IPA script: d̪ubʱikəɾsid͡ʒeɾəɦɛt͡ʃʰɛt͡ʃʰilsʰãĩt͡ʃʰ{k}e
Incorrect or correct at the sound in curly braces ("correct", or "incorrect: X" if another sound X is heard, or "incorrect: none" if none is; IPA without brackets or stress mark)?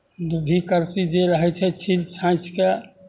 correct